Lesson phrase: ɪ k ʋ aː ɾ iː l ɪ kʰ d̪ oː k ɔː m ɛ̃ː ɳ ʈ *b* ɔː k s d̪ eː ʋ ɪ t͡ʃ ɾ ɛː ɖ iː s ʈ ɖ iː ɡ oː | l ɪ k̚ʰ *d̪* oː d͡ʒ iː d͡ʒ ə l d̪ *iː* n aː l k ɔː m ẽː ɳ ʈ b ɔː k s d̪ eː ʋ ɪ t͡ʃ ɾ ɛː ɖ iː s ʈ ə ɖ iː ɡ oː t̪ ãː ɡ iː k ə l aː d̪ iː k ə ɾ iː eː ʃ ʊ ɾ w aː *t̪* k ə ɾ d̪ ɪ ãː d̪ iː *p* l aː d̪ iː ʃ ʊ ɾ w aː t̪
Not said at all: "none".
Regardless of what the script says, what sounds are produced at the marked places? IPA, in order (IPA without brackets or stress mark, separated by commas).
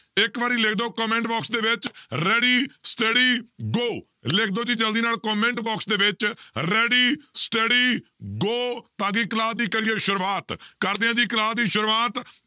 b, d̪, iː, t̪, k